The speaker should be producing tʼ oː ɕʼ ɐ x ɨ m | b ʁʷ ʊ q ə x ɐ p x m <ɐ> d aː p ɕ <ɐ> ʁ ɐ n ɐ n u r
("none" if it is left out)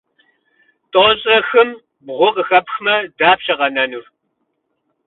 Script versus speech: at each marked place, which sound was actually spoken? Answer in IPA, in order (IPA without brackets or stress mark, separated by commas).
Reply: ɐ, ɐ